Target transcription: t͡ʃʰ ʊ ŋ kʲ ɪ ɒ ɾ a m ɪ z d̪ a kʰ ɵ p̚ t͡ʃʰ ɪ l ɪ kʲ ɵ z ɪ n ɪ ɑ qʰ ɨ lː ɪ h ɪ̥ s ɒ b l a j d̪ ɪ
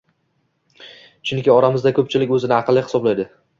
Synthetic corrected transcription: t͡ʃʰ ʊ ŋ kʲ ɪ ɒ ɾ a m ɪ z d̪ a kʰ ɵ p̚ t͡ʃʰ ɪ l ɪ kʲ ɵ z ɪ n ɪ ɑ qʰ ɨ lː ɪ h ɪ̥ s ɒ b l a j d̪ ɪ